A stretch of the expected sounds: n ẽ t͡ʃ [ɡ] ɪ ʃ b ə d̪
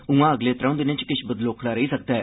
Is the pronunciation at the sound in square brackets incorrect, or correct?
incorrect